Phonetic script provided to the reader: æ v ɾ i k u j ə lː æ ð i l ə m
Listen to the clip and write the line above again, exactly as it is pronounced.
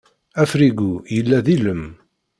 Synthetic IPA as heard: æ f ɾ i ɡ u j ə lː æ ð i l ə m